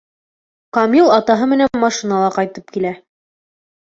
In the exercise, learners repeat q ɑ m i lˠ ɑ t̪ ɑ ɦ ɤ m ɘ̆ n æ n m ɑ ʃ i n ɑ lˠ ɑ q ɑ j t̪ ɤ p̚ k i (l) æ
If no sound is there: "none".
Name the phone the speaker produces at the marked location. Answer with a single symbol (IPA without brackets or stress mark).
l